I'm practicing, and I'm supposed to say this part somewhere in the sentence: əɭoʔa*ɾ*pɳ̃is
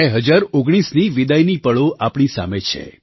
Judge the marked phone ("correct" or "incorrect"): incorrect